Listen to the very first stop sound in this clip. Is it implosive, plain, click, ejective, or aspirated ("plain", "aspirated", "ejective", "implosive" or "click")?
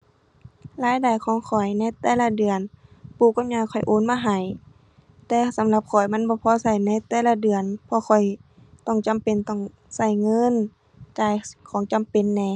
plain